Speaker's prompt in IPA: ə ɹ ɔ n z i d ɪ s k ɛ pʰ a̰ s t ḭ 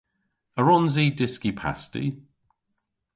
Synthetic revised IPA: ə ɹ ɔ n z i d ɪ s k i pʰ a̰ s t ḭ

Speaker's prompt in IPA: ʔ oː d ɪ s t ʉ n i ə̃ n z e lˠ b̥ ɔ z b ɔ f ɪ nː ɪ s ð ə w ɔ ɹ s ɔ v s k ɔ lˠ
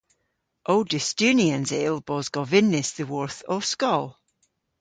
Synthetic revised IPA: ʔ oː d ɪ s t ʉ n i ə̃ n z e lˠ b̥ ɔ z ɡ ɔ v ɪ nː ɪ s ð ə w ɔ ɹ θ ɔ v s k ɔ lˠ

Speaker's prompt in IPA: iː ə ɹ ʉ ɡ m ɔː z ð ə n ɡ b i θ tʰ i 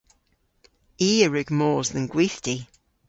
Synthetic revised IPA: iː ə ɹ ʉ ɡ m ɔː z ð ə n ɡ w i θ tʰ i

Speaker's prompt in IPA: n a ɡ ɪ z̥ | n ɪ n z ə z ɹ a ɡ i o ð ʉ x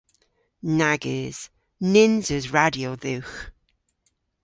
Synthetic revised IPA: n a ɡ ɪ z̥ | n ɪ n z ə z ɹ a d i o ð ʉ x

